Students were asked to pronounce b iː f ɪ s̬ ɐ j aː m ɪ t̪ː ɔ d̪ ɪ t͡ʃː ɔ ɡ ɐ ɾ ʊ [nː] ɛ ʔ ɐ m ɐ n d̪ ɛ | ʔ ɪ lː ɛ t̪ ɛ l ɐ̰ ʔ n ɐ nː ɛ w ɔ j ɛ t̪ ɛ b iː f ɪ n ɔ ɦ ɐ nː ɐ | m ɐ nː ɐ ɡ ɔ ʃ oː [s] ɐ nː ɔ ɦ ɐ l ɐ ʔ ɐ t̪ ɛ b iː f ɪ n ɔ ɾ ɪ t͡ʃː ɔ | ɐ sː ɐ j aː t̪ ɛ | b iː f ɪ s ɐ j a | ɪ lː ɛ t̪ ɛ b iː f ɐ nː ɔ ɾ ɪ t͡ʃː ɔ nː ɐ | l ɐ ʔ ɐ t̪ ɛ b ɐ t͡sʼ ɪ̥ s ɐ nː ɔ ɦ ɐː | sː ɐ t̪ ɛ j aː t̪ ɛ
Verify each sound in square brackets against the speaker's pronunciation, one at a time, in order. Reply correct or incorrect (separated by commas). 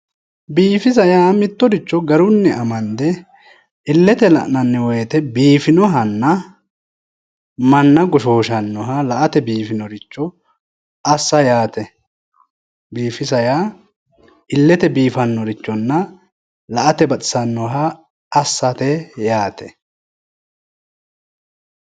correct, incorrect